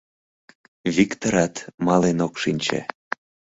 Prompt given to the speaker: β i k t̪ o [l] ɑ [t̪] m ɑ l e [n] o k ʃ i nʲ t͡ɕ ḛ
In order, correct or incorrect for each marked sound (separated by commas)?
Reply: incorrect, correct, correct